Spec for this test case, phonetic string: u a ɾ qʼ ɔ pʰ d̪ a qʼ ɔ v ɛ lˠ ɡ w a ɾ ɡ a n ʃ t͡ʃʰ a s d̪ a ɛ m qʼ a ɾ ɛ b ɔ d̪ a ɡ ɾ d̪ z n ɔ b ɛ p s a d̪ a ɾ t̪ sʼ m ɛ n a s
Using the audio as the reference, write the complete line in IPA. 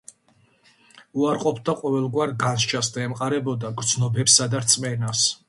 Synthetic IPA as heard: u a ɾ qʼ ɔ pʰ d̪ a qʼ ɔ v ɛ lˠ ɡ w a ɾ ɡ a n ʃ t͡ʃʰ a s d̪ a ɛ m qʼ a ɾ ɛ b ɔ d̪ a ɡ ɾ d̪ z n ɔ b ɛ p s a d̪ a ɾ t̪ sʼ m ɛ n a s